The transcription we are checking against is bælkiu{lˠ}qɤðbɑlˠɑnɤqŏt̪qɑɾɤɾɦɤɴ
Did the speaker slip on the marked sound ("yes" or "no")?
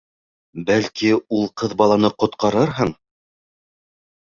no